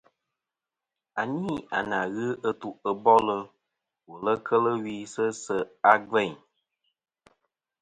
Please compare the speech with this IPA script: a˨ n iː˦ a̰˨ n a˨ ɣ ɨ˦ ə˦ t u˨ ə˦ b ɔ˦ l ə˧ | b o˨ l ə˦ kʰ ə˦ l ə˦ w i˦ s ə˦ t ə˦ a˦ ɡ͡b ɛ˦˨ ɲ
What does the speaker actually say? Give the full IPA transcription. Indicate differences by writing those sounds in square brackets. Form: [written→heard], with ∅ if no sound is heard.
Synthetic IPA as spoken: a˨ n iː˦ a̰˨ n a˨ ɣ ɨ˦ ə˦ t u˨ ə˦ b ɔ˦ l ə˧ | [b→w] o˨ l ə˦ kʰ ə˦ l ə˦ w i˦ s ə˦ [t→s] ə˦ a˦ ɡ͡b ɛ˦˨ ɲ